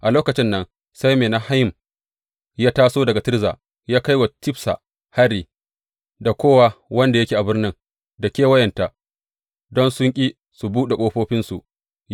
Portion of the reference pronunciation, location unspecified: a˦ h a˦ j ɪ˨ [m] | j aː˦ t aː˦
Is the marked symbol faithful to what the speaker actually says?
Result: yes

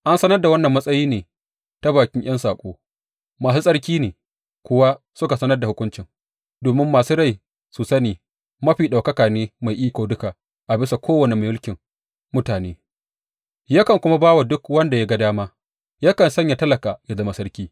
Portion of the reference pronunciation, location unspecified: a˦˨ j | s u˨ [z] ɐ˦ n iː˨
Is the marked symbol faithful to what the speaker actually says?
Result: no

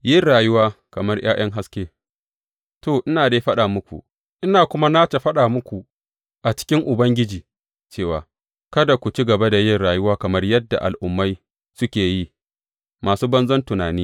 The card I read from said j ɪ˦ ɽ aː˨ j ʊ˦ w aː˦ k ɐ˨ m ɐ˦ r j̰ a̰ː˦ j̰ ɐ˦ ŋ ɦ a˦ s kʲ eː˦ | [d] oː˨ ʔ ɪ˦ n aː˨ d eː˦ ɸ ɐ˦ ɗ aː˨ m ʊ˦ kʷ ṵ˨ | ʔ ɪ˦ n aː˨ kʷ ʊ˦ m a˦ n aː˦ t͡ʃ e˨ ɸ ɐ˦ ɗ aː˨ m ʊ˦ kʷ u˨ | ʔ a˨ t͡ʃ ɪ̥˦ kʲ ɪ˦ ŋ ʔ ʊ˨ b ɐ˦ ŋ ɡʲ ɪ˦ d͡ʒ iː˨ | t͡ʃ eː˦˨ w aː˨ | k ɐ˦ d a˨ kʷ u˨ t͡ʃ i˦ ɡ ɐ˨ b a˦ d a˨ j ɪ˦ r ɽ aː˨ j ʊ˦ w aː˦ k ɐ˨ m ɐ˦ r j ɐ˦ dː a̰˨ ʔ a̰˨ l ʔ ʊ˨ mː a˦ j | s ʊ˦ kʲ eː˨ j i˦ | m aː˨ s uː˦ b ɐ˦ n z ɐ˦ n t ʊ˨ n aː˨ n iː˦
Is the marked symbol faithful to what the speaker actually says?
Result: no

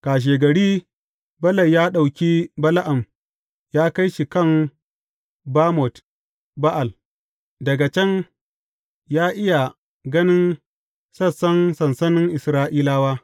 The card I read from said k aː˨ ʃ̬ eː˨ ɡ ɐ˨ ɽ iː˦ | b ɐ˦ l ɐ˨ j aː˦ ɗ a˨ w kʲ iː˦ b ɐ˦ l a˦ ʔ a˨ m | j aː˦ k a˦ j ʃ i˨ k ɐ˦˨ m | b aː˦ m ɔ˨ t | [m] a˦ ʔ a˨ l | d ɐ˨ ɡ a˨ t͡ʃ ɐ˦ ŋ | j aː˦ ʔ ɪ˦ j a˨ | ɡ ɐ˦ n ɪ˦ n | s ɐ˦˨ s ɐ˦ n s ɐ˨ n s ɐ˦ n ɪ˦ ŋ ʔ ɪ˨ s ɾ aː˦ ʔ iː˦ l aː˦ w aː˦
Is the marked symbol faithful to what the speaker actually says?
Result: no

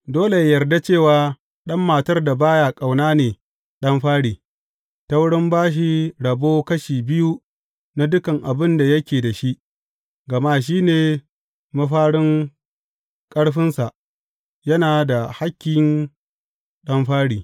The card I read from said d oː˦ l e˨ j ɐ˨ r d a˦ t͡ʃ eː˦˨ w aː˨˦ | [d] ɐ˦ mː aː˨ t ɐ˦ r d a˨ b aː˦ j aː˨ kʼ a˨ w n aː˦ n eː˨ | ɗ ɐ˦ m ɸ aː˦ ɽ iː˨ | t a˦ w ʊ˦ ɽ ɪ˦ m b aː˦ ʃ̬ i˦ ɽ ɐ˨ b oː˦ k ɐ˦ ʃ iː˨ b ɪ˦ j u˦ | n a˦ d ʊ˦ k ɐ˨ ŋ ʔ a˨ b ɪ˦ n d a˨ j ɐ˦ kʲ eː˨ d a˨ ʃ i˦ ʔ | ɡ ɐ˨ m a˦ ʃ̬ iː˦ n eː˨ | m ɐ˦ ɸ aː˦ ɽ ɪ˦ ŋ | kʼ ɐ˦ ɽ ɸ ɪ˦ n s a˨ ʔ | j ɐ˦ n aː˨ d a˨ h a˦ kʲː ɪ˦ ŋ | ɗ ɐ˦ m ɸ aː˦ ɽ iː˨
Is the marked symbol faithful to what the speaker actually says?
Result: no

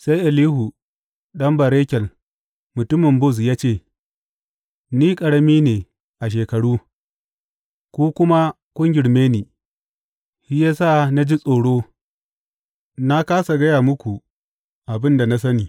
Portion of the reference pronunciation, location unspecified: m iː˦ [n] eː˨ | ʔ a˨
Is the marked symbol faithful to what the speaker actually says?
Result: yes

